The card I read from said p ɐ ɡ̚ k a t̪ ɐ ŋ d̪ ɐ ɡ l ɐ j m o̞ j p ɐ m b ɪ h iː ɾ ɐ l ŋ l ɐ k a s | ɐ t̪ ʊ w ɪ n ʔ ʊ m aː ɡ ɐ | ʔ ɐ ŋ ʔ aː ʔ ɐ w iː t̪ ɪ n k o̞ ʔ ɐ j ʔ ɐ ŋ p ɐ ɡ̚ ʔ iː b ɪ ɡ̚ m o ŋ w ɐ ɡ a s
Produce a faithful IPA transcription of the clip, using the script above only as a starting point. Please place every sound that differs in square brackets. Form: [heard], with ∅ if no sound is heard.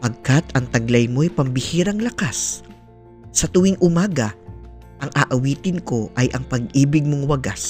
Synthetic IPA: p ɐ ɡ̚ k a t̪ ɐ ŋ [t̪] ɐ ɡ l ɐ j m o̞ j p ɐ m b ɪ h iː ɾ ɐ [∅] ŋ l ɐ k a s | ɐ t̪ ʊ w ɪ [ŋ] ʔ ʊ m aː ɡ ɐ | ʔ ɐ ŋ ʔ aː ʔ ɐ w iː t̪ ɪ n k o̞ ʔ ɐ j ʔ ɐ ŋ p ɐ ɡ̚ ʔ iː b ɪ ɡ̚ m o ŋ w ɐ ɡ a s